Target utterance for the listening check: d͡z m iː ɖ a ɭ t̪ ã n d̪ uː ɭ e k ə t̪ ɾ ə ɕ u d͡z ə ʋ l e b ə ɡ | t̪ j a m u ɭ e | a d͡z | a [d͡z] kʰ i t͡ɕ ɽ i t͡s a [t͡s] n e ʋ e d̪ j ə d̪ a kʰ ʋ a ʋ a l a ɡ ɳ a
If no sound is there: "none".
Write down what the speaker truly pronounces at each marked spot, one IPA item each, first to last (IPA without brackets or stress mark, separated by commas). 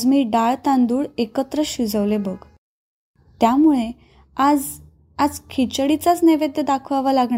d͡z, t͡s